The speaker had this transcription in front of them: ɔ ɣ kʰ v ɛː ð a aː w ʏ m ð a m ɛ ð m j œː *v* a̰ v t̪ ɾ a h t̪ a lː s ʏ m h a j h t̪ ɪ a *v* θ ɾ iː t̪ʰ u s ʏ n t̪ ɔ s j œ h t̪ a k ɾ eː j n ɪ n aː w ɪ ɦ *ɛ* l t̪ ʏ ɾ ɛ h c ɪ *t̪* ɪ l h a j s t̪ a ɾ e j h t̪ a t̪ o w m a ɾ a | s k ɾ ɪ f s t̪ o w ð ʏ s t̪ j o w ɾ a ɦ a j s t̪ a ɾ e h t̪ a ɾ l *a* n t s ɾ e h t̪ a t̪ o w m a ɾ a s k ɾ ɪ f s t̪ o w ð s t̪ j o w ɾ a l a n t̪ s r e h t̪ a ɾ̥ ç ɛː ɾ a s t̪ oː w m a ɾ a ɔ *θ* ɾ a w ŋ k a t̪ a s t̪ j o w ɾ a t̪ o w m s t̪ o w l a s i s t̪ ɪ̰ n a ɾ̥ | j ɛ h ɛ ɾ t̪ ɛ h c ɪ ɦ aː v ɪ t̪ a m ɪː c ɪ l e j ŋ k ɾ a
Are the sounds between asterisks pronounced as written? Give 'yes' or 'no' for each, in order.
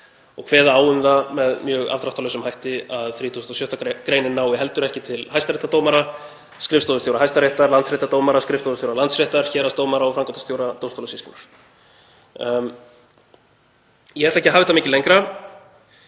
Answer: no, no, yes, no, yes, no

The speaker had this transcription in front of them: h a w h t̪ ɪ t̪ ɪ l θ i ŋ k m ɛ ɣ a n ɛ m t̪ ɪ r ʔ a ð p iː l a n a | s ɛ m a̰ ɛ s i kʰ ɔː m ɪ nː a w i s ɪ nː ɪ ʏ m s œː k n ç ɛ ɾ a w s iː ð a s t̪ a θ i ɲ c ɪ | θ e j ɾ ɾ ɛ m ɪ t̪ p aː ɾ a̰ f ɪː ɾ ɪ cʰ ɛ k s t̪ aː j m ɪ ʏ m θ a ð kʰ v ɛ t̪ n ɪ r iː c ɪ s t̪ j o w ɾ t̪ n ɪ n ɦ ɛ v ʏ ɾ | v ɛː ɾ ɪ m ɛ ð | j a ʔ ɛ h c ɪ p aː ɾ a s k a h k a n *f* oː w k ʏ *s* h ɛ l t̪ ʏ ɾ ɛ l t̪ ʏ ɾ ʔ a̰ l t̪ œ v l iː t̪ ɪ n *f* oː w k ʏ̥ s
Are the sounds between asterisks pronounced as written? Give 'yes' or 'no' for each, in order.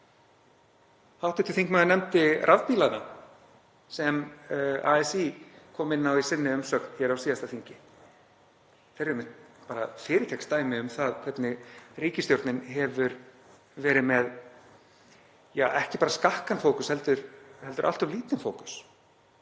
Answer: yes, yes, yes

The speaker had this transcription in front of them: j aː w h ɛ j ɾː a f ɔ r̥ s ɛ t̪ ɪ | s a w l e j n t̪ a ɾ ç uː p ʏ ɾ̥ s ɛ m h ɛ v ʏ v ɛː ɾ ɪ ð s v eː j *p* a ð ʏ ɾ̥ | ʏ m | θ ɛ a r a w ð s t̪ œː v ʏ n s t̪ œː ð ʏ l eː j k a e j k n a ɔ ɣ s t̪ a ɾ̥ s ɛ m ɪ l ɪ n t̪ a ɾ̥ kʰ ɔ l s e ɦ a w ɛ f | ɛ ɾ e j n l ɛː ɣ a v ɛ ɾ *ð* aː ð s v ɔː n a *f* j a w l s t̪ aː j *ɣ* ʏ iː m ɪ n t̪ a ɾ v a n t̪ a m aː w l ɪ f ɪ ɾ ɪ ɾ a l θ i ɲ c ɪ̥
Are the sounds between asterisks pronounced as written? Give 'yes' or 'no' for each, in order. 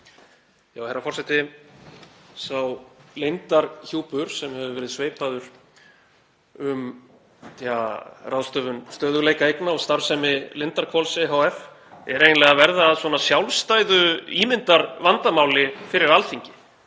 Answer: yes, yes, no, no

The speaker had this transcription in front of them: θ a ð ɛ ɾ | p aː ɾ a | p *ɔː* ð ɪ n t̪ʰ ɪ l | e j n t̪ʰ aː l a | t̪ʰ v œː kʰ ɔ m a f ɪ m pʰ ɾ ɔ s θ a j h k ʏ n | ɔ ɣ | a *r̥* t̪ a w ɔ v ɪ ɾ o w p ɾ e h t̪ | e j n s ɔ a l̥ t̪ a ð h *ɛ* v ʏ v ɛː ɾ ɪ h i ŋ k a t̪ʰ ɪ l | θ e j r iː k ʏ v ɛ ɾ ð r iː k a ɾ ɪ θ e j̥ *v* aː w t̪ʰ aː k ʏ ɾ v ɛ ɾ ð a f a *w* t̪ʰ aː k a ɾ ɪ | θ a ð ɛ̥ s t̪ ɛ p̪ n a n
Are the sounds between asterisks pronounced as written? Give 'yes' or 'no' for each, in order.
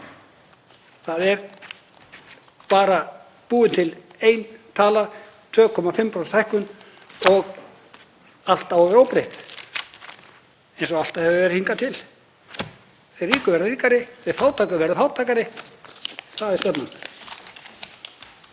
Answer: no, no, yes, no, yes

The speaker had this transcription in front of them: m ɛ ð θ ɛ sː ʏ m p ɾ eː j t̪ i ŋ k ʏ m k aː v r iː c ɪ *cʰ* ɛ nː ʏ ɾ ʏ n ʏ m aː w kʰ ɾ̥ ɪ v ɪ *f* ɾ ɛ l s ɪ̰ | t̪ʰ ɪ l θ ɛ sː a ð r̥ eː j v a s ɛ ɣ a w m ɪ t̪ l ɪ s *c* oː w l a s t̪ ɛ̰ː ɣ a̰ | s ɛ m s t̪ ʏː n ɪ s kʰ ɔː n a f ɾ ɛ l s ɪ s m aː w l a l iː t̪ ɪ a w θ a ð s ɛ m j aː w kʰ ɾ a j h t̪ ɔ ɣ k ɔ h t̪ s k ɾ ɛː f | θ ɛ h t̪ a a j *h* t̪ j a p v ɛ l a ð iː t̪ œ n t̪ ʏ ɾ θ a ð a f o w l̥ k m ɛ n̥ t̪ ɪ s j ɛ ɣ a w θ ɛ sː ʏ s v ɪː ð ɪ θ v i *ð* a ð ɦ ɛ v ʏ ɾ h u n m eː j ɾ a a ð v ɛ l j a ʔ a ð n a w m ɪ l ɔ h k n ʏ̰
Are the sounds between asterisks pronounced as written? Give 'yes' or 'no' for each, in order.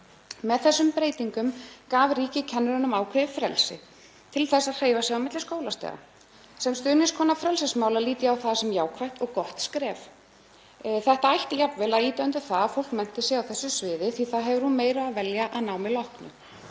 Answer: yes, yes, no, yes, no

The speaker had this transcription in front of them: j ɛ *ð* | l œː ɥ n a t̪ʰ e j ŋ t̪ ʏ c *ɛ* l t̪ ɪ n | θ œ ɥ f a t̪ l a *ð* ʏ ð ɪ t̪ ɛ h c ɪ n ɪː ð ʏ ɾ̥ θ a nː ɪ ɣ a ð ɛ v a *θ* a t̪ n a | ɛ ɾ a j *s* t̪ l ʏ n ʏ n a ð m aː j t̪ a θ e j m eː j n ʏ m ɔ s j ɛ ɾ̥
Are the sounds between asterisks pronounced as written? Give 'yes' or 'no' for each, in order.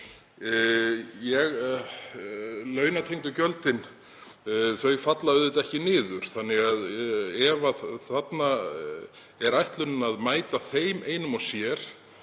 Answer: no, no, yes, yes, no

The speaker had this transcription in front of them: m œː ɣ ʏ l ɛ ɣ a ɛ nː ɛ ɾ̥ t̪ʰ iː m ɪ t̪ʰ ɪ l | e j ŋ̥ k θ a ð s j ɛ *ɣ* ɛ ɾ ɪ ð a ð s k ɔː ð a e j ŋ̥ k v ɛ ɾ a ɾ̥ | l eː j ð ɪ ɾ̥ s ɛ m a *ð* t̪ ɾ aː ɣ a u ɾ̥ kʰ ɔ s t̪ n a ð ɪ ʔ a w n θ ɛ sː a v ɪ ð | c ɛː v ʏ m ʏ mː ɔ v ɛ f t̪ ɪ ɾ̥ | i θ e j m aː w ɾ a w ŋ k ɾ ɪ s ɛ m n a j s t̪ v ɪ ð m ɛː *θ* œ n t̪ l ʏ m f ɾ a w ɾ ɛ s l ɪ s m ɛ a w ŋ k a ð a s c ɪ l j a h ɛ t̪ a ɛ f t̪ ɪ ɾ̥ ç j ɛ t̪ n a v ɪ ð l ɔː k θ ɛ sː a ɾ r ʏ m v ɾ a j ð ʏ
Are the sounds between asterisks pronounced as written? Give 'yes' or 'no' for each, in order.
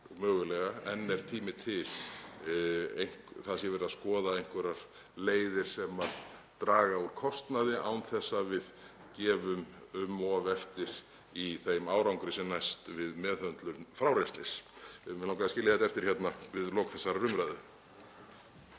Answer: no, yes, no

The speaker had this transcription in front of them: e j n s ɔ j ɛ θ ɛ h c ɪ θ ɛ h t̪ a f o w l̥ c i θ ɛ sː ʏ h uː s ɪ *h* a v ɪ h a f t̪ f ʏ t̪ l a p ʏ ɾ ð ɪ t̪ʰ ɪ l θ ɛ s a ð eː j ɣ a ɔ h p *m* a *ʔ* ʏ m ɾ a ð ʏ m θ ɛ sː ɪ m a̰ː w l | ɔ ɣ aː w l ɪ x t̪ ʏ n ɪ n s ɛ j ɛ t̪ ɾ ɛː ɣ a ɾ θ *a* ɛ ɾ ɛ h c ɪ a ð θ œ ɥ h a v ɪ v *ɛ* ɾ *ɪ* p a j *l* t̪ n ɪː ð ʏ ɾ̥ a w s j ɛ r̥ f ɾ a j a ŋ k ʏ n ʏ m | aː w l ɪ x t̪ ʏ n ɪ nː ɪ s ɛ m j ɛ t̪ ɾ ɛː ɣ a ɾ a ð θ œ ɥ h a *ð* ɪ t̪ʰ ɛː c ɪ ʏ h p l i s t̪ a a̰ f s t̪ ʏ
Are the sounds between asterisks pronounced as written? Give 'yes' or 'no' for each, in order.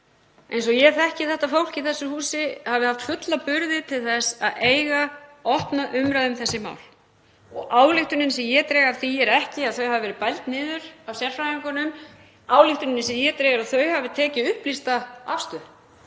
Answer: yes, no, yes, no, yes, yes, yes, no

